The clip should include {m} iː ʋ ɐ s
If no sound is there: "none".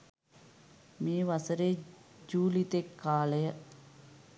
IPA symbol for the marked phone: m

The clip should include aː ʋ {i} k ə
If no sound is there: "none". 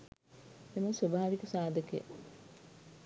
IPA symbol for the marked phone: i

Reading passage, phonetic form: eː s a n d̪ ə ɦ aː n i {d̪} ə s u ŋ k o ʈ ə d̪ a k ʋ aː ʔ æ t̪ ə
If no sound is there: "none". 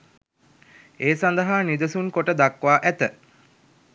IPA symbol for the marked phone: d̪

